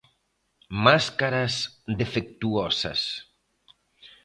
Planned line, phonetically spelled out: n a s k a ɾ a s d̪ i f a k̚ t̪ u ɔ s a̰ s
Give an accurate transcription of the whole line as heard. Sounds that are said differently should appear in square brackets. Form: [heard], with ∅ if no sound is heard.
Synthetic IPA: [m] a s k a ɾ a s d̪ [e] f [e] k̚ t̪ u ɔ s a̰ s

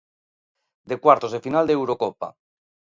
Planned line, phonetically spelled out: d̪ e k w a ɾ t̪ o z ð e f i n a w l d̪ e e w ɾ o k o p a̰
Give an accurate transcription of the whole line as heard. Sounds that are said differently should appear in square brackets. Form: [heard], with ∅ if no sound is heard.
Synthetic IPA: d̪ e k w a ɾ t̪ o z ð e f i n a [∅] l d̪ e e w ɾ o k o p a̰

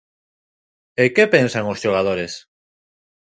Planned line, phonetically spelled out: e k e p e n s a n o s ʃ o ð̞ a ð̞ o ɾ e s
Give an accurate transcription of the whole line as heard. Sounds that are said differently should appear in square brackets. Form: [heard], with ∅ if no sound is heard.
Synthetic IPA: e k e p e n s a [ŋ] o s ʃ o [ɣ̞] a ð̞ o ɾ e s

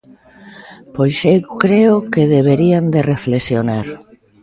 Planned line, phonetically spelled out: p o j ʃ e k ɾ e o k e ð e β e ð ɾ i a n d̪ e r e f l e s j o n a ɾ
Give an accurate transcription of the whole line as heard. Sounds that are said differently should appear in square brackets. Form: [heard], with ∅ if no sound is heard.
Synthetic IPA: p o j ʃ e k ɾ e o k e ð e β e [∅] ɾ i a n d̪ e r e f l e s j o n a ɾ

